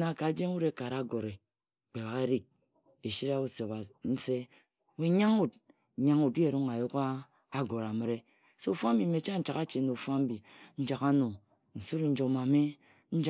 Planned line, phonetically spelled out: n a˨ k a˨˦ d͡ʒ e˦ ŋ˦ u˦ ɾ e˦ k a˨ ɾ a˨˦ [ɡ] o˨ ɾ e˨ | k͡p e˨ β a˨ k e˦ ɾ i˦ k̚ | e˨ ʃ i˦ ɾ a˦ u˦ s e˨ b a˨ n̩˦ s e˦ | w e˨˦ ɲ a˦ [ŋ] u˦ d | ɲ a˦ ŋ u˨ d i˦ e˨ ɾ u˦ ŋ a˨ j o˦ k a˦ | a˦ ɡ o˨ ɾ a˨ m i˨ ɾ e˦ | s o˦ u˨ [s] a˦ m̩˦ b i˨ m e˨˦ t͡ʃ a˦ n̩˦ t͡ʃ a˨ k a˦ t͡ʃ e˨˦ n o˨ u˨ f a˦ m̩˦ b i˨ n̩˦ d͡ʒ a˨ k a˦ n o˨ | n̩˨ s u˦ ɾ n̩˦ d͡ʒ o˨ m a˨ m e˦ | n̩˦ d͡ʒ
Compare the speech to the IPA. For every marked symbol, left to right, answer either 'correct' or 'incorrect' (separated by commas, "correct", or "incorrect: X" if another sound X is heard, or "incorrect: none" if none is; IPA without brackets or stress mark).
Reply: correct, correct, incorrect: f